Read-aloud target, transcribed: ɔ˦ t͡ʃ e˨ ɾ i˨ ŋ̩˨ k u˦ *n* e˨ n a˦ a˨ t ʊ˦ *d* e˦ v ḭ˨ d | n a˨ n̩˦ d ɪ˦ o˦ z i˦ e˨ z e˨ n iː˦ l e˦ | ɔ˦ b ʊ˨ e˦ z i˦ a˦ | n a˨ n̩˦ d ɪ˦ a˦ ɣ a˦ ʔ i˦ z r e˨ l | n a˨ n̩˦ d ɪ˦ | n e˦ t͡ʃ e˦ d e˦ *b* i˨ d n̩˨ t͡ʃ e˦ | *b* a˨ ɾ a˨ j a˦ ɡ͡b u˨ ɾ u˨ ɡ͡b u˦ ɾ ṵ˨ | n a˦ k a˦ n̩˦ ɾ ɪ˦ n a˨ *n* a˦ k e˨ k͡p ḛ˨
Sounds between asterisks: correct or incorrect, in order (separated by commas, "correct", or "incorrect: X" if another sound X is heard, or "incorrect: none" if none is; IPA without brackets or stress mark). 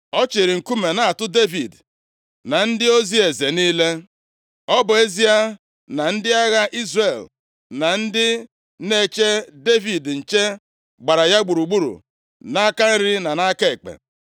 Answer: incorrect: m, correct, incorrect: v, incorrect: ɡ͡b, correct